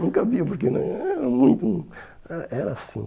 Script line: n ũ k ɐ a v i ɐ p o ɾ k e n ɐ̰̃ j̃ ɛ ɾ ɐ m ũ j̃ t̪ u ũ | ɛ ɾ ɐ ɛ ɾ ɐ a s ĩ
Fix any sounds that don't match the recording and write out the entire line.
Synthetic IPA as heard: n ũ k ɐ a v i ɐ p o ɾ k e n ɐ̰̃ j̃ ɛ ɾ ɐ m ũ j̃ t̪ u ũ | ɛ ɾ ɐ ɛ ɾ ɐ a s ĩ